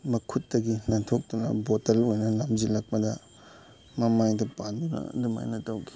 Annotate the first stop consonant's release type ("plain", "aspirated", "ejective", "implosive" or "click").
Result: aspirated